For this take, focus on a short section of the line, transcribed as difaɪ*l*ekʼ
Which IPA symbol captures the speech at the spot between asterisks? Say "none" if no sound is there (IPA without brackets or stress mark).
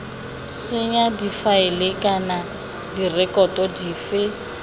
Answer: l